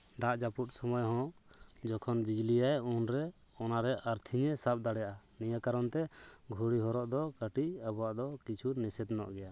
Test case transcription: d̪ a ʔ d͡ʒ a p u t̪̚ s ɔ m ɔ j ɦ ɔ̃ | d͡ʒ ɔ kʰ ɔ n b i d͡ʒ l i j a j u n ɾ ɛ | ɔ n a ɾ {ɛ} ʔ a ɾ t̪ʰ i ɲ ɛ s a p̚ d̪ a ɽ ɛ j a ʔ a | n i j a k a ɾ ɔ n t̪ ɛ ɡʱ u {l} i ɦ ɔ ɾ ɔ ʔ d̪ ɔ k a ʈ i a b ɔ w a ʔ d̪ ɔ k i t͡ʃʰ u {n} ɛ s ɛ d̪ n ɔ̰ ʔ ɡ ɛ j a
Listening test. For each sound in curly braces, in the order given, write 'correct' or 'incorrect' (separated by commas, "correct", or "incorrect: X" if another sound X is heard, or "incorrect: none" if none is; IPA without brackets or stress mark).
correct, incorrect: ɽ, correct